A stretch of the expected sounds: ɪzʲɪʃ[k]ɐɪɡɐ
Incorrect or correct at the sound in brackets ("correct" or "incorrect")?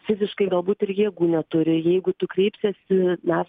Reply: correct